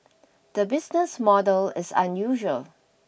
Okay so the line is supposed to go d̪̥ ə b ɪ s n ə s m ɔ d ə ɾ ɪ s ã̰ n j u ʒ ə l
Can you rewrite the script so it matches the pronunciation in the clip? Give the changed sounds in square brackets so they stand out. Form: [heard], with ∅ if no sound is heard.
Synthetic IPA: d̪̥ ə b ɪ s n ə s m ɔ d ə [l] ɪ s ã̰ n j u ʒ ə l